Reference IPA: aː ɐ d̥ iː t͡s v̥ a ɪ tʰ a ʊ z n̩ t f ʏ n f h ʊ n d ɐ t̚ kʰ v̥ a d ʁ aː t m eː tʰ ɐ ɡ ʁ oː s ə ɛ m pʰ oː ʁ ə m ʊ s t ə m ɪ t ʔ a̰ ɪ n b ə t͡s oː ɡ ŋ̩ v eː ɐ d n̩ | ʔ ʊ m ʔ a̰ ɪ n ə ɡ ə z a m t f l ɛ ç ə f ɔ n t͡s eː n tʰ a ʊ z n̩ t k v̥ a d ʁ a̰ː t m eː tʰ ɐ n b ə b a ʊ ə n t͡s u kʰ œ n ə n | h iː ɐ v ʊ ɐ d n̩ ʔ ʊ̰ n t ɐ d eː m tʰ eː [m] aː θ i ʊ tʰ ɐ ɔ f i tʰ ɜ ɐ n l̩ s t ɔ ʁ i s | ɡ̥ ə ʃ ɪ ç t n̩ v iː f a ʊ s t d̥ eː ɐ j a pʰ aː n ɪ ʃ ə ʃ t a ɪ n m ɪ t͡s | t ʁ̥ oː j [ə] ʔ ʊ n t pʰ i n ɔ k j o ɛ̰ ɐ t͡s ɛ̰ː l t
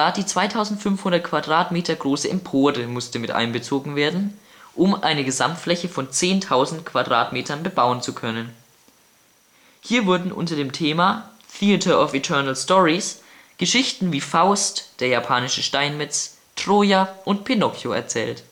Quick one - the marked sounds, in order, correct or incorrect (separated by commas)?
correct, incorrect